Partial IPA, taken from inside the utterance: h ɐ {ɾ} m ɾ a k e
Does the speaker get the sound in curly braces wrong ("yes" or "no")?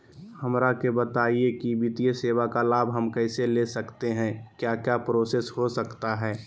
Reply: yes